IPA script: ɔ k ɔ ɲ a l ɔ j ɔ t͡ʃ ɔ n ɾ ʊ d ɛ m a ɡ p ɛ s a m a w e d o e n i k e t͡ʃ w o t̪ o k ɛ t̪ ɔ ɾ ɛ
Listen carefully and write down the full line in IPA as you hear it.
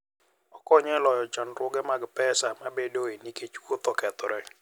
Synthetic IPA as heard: ɔ k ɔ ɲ ɛ l ɔ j ɔ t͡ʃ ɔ n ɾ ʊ ɡ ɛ m a ɡ p ɛ s a m a b e d o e n i k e t͡ʃ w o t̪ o k ɛ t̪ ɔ ɾ ɛ